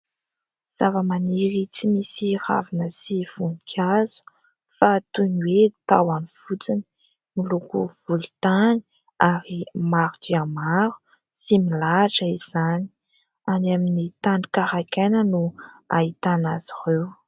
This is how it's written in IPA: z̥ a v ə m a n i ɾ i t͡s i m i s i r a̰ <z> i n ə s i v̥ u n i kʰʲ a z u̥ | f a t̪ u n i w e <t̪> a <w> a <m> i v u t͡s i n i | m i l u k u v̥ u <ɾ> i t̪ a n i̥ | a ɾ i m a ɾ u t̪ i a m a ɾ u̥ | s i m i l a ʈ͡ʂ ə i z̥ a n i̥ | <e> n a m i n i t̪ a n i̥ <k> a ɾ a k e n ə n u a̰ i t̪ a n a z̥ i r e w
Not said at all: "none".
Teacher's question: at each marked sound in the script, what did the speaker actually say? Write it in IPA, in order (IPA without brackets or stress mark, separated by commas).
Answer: v, t̪, w, n, l, a, k